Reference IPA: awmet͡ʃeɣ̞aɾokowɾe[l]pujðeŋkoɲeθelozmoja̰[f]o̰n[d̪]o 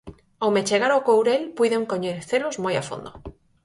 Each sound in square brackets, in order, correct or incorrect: correct, correct, correct

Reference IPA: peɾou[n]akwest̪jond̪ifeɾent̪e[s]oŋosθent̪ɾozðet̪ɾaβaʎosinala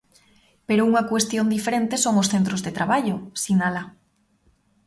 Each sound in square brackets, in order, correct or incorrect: incorrect: ŋ, correct

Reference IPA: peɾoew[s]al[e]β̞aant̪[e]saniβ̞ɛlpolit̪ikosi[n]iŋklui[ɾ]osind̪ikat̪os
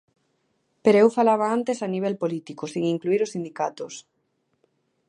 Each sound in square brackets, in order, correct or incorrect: incorrect: f, incorrect: a, correct, incorrect: ŋ, correct

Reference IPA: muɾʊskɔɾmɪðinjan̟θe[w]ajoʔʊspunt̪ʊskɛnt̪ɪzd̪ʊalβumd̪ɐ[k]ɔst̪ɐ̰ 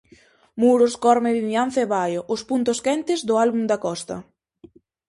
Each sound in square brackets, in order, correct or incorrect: incorrect: β, correct

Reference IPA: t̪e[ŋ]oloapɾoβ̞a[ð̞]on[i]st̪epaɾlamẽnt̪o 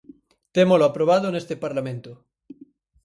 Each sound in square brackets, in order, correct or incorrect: incorrect: m, correct, incorrect: e

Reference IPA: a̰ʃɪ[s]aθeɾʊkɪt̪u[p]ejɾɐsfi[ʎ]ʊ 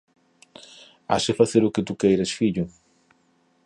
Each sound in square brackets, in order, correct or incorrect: incorrect: f, incorrect: k, correct

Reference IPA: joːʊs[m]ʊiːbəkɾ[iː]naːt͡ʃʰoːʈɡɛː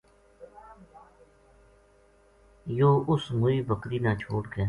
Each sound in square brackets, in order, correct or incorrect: correct, correct

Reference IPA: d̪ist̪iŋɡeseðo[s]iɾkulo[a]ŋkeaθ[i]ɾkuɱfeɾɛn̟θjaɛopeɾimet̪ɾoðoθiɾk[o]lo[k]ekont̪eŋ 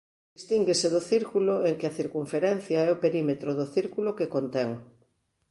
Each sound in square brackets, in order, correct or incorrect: incorrect: θ, incorrect: e, correct, incorrect: u, correct

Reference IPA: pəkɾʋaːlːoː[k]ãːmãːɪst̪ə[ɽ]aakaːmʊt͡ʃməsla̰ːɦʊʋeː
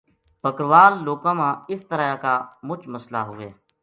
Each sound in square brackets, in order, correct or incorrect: correct, incorrect: ɾ

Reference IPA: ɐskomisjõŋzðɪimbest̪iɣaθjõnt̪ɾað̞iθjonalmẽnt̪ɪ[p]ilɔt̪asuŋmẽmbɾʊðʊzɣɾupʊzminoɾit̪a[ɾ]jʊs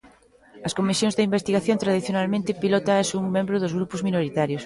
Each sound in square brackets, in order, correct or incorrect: correct, correct

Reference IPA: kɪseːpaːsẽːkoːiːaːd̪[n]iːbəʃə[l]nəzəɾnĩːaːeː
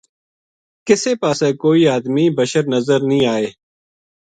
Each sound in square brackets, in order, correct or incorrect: incorrect: m, incorrect: ɾ

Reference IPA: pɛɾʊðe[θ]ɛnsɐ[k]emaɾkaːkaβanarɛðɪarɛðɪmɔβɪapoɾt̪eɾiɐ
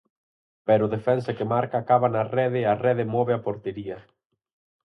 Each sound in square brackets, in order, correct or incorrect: incorrect: f, correct

